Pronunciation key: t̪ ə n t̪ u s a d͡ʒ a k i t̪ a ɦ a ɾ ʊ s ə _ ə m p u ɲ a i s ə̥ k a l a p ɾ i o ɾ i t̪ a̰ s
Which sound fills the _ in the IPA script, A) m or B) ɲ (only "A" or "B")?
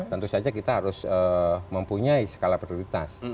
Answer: A